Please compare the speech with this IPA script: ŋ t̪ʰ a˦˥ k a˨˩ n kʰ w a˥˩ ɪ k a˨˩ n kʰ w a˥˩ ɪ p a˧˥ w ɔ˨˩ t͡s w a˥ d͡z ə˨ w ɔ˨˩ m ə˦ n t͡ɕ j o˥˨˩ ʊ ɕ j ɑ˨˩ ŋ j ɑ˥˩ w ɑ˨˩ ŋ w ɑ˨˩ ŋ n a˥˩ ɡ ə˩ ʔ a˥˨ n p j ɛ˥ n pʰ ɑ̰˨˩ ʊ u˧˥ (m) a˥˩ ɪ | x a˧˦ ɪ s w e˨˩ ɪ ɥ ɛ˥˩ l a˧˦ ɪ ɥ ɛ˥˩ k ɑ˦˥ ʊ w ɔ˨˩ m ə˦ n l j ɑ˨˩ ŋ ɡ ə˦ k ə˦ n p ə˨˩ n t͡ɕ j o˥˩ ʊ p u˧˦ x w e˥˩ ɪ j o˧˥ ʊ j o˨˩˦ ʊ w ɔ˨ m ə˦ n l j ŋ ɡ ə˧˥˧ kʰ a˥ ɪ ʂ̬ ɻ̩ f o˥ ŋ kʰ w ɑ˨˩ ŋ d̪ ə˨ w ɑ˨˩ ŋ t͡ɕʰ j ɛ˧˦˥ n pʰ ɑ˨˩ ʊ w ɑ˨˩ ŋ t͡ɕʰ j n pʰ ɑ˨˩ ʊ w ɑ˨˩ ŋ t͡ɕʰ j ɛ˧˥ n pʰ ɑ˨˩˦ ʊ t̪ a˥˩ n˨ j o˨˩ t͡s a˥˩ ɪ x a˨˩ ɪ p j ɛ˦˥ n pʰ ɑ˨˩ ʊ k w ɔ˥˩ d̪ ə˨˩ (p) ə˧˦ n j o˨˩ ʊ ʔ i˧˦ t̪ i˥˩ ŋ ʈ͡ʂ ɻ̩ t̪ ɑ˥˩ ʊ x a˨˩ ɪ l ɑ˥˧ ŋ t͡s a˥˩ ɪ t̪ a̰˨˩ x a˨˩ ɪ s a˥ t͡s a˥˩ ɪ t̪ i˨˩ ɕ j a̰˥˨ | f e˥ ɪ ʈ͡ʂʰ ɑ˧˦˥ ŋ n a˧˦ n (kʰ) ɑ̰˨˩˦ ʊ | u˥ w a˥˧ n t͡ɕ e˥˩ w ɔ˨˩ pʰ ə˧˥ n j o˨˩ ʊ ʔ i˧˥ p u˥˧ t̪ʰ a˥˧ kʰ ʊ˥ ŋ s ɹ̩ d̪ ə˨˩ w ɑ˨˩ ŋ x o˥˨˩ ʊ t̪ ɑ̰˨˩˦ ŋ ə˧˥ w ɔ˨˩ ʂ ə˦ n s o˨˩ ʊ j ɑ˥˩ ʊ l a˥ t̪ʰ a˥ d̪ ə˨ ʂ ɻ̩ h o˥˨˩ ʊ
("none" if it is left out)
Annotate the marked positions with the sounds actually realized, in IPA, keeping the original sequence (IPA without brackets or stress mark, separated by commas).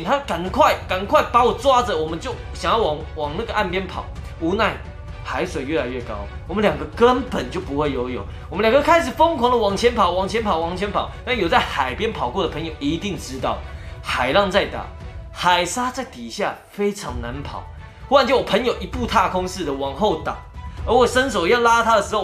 n, pʰ, pʰ